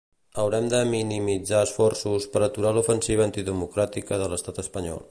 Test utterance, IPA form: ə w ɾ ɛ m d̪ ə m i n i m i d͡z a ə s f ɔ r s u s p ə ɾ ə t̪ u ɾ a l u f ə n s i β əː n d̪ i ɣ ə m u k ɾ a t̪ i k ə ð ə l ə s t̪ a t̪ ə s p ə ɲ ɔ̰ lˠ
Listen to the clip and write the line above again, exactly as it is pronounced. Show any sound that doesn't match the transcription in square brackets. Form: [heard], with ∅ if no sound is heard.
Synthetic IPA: ə w ɾ ɛ m d̪ ə m i n i m i d͡z a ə s f ɔ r s u s p ə ɾ ə t̪ u ɾ a l u f ə n s i β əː n [t̪] i [ð] ə m u k ɾ a t̪ i k ə ð ə l ə s t̪ a t̪ ə s p ə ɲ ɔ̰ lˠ